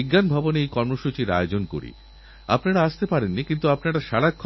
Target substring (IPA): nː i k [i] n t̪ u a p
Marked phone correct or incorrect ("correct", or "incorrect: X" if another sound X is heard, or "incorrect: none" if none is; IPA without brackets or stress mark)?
correct